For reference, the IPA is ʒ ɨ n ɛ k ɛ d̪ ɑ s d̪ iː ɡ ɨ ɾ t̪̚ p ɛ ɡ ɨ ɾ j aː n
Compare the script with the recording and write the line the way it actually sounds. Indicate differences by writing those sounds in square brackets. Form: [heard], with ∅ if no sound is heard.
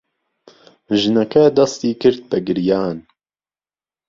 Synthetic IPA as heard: ʒ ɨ n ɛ k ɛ d̪ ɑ s [t̪] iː [k] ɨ ɾ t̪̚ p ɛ ɡ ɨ ɾ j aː n